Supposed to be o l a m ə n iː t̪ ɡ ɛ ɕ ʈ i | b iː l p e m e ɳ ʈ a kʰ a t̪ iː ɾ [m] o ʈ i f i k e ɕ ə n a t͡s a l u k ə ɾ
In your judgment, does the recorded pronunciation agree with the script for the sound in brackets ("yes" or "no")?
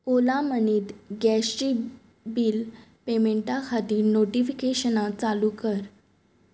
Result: no